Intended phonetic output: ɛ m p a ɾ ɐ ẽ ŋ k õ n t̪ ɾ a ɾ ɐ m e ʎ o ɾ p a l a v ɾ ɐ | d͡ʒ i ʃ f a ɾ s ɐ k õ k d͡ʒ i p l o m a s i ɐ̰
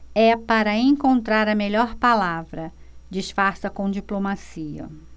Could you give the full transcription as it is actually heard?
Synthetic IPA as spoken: ɛ p a ɾ ɐ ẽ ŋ k õ n t̪ ɾ a ɾ ɐ m e ʎ ɔ ɾ p a l a v ɾ ɐ | d͡ʒ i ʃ f a ɾ s ɐ k õ d͡ʒ i p l o m a s i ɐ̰